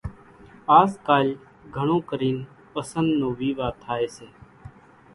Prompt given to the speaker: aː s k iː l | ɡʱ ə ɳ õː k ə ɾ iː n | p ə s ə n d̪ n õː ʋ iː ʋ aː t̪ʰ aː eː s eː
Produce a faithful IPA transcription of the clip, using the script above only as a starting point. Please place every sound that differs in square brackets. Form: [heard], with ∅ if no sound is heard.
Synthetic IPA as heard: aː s k [aː] l | ɡʱ ə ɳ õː k ə ɾ iː n | p ə s ə n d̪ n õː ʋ iː ʋ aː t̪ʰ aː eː s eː